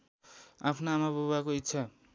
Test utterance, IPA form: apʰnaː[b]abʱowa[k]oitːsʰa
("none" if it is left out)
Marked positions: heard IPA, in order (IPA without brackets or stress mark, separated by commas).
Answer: m, k